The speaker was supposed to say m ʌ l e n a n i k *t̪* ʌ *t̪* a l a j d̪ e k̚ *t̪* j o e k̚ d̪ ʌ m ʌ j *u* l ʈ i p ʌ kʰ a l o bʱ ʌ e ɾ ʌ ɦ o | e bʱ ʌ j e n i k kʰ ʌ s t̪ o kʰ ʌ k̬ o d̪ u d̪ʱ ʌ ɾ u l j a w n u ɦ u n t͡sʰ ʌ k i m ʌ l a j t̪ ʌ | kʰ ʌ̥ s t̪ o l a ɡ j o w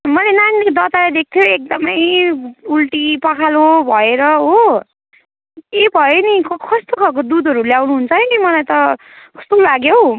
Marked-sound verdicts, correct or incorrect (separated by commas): incorrect, correct, incorrect, correct